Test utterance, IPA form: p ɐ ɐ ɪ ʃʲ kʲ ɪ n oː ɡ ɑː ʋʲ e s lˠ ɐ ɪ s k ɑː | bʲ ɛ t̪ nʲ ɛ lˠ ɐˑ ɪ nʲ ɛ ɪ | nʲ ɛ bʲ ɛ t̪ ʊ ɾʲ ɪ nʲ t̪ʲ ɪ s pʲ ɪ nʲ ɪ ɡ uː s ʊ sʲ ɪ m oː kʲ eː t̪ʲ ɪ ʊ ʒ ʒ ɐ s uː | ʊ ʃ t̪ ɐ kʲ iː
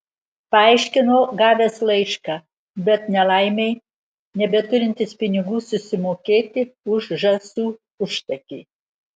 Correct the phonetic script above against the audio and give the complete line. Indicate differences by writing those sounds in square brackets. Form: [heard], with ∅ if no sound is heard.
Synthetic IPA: p ɐ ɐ ɪ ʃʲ kʲ ɪ n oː ɡ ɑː ʋʲ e s lˠ ɐ ɪ [ʃ] k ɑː | bʲ ɛ t̪ nʲ ɛ lˠ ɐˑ ɪ [mʲ] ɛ ɪ | nʲ ɛ bʲ ɛ t̪ ʊ ɾʲ ɪ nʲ t̪ʲ ɪ s pʲ ɪ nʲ ɪ ɡ uː s ʊ sʲ ɪ m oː kʲ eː t̪ʲ ɪ ʊ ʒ ʒ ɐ s uː | ʊ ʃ t̪ ɐ kʲ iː

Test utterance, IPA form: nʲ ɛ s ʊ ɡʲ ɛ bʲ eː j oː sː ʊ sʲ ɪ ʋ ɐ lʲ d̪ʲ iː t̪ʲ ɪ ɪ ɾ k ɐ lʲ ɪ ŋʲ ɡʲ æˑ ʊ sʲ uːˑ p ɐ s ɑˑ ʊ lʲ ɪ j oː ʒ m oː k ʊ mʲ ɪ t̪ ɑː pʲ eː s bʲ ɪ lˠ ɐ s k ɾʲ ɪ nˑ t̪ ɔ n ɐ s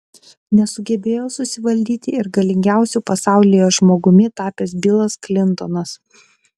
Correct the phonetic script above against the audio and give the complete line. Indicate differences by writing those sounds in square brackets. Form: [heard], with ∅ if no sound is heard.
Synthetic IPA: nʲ ɛ s ʊ ɡʲ ɛ bʲ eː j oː [s] ʊ sʲ ɪ ʋ ɐ lʲ d̪ʲ iː t̪ʲ ɪ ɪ ɾ [ɡ] ɐ lʲ ɪ ŋʲ ɡʲ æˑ ʊ sʲ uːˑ p ɐ s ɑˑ ʊ lʲ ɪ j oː ʒ m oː [ɡ] ʊ mʲ ɪ t̪ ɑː pʲ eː s bʲ ɪ lˠ ɐ s k [lʲ] ɪ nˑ t̪ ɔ n ɐ s

